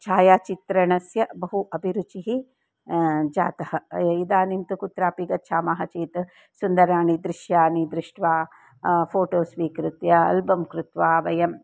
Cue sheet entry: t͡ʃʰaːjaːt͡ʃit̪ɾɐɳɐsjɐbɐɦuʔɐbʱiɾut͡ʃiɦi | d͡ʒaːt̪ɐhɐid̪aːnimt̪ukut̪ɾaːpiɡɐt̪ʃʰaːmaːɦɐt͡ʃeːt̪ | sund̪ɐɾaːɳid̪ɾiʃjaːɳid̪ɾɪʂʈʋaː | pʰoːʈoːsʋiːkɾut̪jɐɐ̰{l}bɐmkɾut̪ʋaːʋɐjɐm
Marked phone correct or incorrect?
correct